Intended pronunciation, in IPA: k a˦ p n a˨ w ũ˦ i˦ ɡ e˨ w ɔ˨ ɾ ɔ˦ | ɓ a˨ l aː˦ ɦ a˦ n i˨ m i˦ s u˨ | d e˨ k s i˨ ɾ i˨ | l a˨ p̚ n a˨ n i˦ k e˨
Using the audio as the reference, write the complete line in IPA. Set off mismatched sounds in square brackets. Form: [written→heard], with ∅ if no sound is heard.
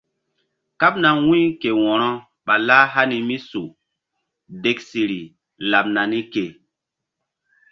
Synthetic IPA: k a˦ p n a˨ w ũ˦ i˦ [ɡ→k] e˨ w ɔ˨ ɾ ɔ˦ | ɓ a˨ l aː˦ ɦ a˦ n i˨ m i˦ s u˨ | d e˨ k s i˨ ɾ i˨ | l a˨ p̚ n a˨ n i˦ k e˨